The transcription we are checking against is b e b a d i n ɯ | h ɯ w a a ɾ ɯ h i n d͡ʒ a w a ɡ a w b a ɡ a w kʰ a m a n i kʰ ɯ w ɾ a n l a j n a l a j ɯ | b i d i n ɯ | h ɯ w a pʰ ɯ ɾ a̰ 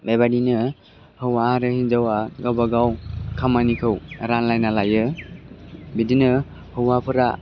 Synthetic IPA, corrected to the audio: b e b a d i n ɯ | h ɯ w a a ɾ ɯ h i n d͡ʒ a w a ɡ a w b a ɡ a w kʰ a m a n i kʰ ɯ w ɾ a n l a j n a l a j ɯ | b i d i n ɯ | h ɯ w a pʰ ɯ ɾ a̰